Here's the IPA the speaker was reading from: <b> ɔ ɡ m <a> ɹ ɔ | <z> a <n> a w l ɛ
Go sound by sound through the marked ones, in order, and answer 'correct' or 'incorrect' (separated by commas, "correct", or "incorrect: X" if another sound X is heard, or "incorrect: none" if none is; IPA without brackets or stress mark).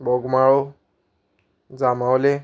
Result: correct, correct, correct, incorrect: m